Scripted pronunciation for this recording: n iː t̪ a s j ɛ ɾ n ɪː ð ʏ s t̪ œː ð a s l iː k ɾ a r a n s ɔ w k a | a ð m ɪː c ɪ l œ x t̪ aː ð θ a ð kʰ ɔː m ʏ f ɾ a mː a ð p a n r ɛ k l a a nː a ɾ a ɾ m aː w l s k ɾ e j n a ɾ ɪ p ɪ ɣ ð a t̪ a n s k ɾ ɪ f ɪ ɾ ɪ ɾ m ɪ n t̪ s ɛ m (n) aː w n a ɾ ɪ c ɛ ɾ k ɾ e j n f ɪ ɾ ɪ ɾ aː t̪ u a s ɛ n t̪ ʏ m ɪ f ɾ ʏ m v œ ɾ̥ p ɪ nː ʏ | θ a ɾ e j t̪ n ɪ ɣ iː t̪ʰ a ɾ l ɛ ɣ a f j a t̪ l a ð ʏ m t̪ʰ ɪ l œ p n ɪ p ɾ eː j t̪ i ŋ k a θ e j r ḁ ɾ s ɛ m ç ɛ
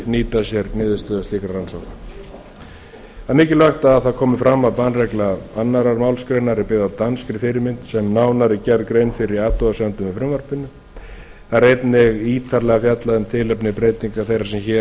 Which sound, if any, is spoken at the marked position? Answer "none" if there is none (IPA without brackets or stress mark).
n